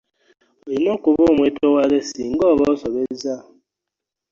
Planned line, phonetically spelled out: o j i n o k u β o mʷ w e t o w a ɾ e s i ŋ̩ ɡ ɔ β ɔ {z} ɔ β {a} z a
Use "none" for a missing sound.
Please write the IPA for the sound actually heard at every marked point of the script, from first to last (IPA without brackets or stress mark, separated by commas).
s, e